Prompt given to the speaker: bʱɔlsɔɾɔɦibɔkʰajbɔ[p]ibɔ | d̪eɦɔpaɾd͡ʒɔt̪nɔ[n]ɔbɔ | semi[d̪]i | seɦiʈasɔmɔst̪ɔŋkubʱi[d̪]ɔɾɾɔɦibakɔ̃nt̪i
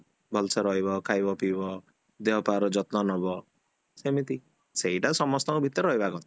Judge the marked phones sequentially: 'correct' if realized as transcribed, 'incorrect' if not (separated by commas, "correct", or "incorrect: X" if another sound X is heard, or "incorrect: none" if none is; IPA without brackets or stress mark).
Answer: correct, correct, incorrect: t̪, incorrect: t̪